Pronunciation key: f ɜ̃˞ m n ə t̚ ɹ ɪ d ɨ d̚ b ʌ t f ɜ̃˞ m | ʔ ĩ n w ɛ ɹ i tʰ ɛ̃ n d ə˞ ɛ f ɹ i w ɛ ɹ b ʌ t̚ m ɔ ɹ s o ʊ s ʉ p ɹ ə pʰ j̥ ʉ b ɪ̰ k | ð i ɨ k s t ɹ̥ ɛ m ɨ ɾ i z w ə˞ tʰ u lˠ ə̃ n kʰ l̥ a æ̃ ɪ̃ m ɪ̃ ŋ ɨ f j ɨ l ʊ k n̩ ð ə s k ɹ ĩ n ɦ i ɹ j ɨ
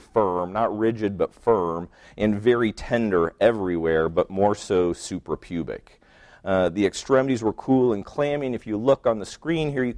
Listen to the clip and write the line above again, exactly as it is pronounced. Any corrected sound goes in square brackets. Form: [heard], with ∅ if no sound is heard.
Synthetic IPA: f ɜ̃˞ m n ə t̚ ɹ ɪ [d͡ʒ] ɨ d̚ b ʌ t f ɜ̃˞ m | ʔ [ɨ̃] n [v] ɛ ɹ i tʰ ɛ̃ n d ə˞ ɛ [v] ɹ i w ɛ ɹ b ʌ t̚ m ɔ ɹ s o ʊ s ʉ p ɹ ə pʰ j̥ ʉ b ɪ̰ k | ð i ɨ k s t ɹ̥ ɛ m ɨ ɾ i z w ə˞ [kʰ] u lˠ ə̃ n kʰ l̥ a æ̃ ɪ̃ m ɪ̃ ŋ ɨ f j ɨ l ʊ k n̩ ð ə s k ɹ ĩ n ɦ i ɹ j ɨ